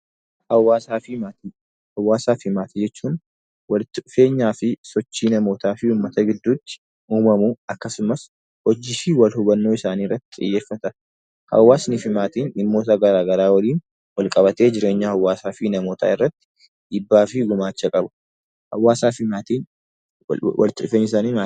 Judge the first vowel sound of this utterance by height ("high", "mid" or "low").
low